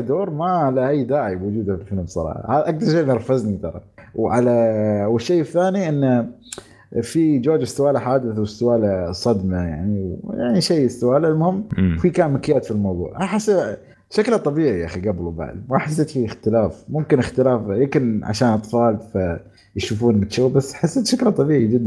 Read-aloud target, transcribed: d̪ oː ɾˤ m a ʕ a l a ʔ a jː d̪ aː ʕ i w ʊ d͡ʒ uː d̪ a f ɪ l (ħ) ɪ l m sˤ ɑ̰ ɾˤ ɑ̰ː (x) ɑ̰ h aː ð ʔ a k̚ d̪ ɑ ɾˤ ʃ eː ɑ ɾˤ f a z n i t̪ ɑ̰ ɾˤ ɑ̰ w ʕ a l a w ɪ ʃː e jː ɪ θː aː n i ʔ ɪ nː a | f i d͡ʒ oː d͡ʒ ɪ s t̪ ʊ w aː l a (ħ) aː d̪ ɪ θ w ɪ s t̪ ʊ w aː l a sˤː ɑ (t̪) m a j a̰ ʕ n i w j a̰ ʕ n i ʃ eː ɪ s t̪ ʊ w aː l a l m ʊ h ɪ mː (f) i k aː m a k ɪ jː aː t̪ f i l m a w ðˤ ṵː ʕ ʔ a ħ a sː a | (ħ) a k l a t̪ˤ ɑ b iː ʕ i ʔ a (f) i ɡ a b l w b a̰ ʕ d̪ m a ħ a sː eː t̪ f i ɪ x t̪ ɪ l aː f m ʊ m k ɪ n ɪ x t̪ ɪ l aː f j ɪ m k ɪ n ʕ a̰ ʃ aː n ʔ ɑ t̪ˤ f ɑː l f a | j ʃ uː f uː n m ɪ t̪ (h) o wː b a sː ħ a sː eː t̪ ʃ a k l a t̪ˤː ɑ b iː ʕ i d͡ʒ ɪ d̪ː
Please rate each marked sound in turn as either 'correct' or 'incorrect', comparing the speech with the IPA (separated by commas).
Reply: incorrect, incorrect, correct, incorrect, correct, incorrect, incorrect, incorrect